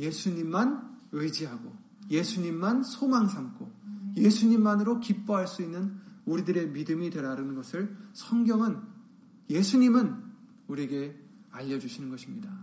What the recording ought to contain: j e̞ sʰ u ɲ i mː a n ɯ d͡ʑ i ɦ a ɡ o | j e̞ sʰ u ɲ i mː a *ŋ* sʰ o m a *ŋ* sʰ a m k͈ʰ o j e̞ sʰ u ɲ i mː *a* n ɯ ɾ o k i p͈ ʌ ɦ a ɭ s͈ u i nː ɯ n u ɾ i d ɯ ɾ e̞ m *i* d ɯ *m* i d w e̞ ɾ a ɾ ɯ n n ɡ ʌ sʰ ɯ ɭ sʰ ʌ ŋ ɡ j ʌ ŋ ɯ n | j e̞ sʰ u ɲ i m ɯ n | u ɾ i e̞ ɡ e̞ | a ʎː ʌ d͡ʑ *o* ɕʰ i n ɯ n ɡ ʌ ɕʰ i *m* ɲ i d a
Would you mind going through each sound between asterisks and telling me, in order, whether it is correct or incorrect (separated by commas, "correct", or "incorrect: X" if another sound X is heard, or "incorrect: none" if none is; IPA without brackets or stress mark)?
incorrect: n, correct, correct, correct, correct, incorrect: u, correct